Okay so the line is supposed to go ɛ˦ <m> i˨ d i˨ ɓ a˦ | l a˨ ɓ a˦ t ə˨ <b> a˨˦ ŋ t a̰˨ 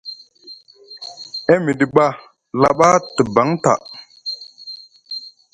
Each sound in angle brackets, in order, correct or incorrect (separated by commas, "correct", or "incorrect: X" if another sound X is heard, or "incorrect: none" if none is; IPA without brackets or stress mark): correct, correct